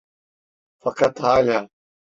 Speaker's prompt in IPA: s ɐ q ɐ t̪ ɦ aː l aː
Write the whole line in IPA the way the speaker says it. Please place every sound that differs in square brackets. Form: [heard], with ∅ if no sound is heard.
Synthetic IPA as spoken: [f] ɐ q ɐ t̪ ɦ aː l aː